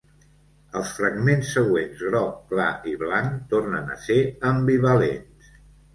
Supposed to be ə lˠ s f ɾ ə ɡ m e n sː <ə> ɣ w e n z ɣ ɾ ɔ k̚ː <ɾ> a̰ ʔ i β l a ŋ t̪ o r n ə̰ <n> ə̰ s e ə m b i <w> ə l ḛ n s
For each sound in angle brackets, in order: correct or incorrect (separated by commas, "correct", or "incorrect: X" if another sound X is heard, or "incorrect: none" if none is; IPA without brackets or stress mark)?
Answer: correct, incorrect: l, correct, incorrect: β